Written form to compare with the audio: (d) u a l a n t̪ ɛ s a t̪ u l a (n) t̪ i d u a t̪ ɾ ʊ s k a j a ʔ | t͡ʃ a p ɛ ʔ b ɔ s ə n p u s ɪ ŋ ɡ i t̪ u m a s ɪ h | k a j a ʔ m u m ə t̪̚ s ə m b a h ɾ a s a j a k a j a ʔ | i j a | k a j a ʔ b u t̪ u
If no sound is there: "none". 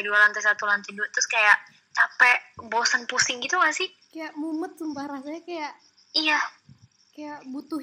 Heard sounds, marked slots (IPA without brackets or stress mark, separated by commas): d, n